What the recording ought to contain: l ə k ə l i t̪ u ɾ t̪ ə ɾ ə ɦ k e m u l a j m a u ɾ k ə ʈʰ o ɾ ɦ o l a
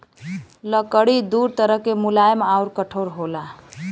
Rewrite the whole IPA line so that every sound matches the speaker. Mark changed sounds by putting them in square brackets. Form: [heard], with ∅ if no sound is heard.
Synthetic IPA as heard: l ə k ə [ɽ] i [d̪] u ɾ t̪ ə ɾ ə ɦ k e m u l a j m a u ɾ k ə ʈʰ o ɾ ɦ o l a

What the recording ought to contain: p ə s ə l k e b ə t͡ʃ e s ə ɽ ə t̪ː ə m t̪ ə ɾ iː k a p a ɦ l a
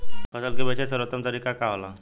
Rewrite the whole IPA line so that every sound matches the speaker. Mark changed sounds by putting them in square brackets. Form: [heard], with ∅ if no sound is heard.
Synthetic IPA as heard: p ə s ə l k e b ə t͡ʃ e s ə [ɾ] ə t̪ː ə m t̪ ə ɾ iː k a [k] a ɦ l a

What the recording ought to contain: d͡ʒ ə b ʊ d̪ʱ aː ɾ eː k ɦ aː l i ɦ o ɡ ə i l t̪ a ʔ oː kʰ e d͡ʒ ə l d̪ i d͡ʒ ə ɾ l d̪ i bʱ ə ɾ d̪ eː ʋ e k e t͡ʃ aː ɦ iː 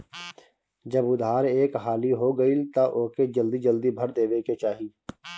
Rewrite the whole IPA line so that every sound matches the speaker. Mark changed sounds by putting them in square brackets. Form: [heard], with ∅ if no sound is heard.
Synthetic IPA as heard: d͡ʒ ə b ʊ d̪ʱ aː ɾ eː k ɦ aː l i ɦ o ɡ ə i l t̪ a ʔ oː [k] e d͡ʒ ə l d̪ i d͡ʒ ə [∅] l d̪ i bʱ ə ɾ d̪ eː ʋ e k e t͡ʃ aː ɦ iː

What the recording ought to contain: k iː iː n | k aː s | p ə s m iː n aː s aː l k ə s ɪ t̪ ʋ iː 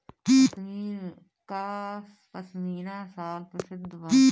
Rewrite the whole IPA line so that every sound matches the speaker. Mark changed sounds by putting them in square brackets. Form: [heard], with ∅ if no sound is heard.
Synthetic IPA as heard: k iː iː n | k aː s | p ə s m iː n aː s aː l [p] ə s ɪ [d̪] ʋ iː

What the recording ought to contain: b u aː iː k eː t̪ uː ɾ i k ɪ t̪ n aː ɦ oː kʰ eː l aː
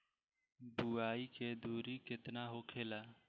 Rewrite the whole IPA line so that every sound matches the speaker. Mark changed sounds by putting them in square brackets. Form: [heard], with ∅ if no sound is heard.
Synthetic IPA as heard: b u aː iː k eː [d̪] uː ɾ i k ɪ t̪ n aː ɦ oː kʰ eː l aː

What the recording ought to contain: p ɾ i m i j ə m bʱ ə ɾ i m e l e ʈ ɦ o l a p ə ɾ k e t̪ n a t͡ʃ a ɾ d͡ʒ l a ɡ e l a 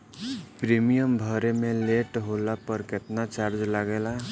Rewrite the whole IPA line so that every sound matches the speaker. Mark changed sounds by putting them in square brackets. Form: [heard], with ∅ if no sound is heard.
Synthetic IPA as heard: p ɾ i m i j ə m bʱ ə ɾ [e] m e l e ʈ ɦ o l a p ə ɾ k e t̪ n a t͡ʃ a ɾ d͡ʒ l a ɡ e l a

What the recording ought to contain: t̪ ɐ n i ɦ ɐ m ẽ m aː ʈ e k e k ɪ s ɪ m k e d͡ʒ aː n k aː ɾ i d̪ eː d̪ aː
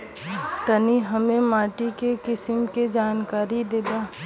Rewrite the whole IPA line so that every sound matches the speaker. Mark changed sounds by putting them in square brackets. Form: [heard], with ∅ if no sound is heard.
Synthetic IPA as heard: t̪ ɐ n i ɦ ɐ m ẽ m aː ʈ [i] k e k ɪ s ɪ m k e d͡ʒ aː n k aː ɾ i d̪ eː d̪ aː

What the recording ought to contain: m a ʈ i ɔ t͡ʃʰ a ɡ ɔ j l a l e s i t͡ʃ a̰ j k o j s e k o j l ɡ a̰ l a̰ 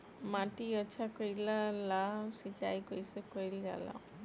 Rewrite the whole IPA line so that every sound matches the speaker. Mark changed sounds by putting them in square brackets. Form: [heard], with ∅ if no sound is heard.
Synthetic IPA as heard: m a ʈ i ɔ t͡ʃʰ a [k] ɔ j l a l [a] s i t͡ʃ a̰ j k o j s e k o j l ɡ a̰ l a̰

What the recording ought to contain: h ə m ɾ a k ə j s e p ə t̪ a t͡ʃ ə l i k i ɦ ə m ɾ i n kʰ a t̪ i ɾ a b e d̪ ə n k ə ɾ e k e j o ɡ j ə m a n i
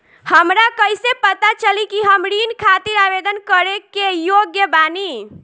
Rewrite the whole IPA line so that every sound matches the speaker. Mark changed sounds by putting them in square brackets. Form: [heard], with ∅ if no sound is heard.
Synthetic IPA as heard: h ə m ɾ a k ə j s e p ə t̪ a t͡ʃ ə l i k i ɦ ə m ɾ i n kʰ a t̪ i ɾ a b e d̪ ə n k ə ɾ e k e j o ɡ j ə [b] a n i

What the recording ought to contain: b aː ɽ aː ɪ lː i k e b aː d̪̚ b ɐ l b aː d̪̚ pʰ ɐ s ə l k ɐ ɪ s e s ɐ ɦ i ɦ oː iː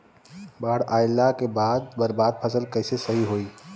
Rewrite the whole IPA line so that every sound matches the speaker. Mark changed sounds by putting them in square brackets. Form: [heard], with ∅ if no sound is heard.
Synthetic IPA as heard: b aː ɽ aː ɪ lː [a] k e b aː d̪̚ b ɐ [ɾ] b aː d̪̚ pʰ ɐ s ə l k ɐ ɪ s e s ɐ ɦ i ɦ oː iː

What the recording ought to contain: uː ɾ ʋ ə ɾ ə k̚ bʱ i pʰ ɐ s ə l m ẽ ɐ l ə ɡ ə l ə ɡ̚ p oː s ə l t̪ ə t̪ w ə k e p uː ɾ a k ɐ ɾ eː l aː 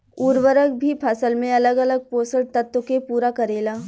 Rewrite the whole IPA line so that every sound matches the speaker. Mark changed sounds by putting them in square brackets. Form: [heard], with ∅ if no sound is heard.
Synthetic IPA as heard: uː ɾ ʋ ə ɾ ə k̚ bʱ i pʰ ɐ s ə l m ẽ ɐ l ə ɡ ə l ə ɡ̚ p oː s ə l t̪ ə t̪ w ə k e p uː ɾ a k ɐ ɾ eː l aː

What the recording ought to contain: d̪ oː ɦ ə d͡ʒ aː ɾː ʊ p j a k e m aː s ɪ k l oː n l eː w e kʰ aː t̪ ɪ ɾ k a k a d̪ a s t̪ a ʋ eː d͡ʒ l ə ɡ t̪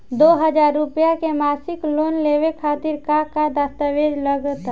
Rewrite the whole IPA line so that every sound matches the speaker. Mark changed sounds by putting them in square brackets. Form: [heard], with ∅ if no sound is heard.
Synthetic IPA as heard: d̪ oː ɦ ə d͡ʒ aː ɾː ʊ p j a k e m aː s ɪ k l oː n l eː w e kʰ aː t̪ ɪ ɾ k a k a d̪ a s t̪ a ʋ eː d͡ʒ l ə ɡ t̪

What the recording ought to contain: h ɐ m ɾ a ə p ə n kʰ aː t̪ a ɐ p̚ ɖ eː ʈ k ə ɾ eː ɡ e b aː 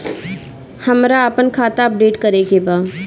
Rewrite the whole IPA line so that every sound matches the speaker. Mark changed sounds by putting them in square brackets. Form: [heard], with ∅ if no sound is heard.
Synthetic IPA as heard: h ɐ m ɾ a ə p ə n kʰ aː t̪ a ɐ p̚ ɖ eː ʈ k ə ɾ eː ɡ e b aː

